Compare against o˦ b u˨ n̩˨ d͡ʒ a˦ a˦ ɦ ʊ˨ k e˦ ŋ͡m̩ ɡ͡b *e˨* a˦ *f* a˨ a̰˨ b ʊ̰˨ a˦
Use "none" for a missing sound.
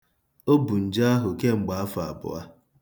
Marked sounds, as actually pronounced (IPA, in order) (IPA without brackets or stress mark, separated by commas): a˨, f